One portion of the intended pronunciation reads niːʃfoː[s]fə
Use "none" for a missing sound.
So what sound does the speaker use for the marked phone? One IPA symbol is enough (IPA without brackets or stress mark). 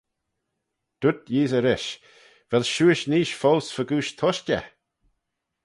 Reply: s